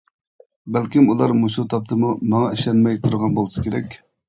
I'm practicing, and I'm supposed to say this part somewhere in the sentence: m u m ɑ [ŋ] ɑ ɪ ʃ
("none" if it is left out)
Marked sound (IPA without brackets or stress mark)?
ŋ